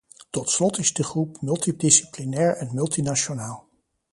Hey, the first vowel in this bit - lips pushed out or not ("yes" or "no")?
yes